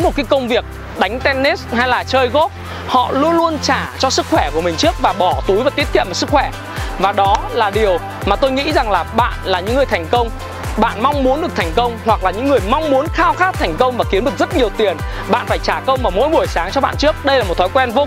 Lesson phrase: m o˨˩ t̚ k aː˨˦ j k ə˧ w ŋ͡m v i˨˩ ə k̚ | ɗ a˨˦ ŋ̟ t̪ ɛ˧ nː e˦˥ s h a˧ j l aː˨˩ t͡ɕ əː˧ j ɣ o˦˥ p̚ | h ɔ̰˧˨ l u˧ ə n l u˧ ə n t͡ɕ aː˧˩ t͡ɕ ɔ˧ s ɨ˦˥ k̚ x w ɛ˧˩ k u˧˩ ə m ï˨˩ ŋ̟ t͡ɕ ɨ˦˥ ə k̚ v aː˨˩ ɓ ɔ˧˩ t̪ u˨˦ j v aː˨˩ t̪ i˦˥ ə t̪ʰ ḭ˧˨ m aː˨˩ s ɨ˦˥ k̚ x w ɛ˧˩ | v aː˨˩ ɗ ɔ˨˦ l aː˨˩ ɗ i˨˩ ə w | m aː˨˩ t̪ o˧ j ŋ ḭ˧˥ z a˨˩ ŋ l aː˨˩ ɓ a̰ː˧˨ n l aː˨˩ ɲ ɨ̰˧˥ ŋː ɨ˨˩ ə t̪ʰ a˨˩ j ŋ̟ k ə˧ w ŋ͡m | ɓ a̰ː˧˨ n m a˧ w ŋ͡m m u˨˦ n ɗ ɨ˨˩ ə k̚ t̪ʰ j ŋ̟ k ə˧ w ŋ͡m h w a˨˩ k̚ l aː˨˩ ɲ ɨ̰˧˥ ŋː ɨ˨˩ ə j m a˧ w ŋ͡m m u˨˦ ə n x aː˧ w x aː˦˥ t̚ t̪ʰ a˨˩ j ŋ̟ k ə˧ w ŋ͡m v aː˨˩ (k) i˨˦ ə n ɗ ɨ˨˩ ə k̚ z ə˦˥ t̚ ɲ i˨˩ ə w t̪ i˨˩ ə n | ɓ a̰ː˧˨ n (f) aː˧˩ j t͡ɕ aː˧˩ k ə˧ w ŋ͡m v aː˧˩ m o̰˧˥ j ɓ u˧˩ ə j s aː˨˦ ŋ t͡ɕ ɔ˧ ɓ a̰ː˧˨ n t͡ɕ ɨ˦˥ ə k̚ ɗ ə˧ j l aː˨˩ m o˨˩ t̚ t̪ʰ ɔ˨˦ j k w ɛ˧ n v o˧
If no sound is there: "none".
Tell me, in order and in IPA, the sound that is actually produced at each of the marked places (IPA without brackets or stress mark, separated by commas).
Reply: k, f